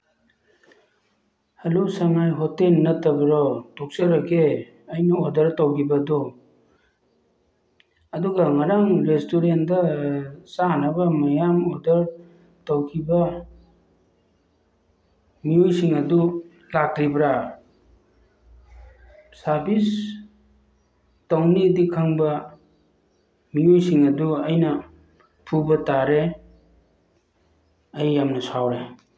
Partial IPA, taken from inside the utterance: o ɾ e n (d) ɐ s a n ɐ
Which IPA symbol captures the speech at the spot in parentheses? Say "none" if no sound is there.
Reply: d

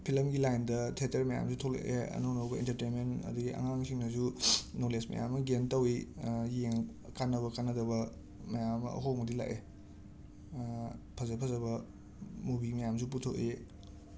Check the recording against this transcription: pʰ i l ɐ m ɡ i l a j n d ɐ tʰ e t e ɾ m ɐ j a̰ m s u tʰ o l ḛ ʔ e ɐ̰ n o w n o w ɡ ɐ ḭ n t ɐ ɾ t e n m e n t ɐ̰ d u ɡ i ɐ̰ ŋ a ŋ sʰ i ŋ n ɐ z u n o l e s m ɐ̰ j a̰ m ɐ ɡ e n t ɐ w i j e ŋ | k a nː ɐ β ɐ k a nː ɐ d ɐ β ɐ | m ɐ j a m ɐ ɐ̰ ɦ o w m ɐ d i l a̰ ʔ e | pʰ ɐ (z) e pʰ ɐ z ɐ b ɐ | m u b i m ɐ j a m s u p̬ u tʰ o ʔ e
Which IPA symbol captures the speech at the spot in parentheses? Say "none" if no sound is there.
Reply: z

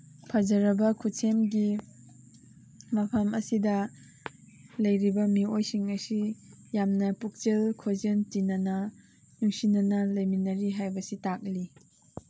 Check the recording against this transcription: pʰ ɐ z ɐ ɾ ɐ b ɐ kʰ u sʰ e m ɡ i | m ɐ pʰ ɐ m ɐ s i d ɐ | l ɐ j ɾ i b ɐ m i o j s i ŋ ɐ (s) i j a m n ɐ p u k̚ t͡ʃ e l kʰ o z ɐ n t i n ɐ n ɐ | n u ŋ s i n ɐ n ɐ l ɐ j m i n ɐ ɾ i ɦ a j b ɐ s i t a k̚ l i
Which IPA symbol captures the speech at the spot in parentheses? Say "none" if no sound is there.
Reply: s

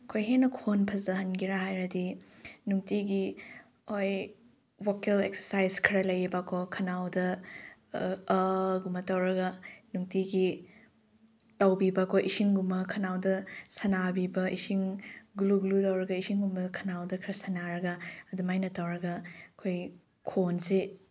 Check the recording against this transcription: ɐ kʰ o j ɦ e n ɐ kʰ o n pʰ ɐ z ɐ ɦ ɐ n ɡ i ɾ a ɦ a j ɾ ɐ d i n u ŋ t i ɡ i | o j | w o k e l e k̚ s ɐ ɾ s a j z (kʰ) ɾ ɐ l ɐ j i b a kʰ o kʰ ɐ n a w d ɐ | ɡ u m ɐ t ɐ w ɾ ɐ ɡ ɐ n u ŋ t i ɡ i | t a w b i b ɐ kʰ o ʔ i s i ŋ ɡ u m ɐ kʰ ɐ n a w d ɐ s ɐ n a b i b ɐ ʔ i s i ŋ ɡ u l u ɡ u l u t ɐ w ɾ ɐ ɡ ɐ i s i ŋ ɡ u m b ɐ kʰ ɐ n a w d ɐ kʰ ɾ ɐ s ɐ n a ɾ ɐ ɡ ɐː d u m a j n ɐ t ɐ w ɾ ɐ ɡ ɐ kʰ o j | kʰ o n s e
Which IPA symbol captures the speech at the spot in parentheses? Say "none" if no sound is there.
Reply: kʰ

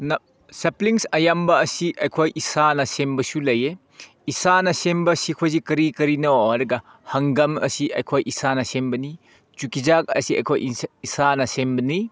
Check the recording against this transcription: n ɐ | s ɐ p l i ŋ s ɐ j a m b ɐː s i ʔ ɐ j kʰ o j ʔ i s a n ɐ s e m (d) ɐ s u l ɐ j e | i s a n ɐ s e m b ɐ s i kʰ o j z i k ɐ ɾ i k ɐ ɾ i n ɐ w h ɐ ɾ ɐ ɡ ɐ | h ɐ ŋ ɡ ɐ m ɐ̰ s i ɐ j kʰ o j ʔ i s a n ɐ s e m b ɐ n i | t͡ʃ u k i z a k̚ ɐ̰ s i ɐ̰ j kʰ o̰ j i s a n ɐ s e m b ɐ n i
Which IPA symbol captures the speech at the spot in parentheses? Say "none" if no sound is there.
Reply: b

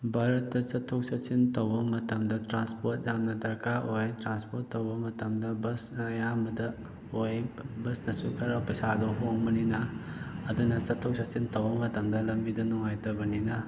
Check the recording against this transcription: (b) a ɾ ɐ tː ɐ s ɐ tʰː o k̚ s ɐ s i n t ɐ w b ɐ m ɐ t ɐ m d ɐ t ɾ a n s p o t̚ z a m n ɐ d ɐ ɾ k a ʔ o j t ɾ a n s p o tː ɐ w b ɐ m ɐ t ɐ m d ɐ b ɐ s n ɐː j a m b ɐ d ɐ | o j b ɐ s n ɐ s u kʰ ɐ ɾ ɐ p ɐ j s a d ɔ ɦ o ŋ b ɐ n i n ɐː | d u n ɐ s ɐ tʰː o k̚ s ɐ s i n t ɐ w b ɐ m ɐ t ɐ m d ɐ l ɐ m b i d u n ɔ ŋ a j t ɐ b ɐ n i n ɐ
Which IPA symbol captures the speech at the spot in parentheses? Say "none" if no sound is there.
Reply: b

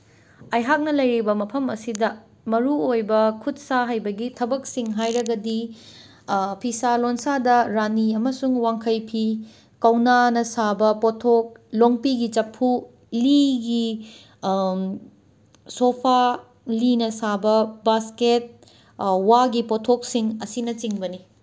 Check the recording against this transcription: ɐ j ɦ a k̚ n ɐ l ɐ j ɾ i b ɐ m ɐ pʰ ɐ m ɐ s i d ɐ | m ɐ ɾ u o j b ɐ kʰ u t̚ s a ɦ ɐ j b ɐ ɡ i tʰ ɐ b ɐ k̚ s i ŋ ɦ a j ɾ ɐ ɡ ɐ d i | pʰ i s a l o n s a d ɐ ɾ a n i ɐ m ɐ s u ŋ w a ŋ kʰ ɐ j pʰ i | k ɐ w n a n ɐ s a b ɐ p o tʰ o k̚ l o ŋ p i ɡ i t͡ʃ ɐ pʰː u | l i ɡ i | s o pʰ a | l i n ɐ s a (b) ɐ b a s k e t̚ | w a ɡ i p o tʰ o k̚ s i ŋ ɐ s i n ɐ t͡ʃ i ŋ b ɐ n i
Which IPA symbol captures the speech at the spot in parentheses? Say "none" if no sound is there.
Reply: b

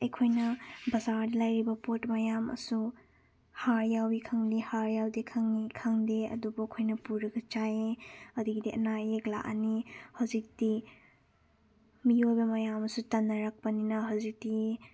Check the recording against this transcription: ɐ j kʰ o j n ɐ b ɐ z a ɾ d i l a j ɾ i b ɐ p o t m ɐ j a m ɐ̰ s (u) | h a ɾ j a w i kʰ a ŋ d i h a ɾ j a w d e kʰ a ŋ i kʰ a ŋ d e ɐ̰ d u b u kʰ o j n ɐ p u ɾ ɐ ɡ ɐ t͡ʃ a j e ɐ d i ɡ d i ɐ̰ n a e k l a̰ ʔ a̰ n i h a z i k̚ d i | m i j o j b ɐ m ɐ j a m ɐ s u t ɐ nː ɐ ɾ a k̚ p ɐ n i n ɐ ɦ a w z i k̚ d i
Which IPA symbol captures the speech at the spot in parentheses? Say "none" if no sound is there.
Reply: u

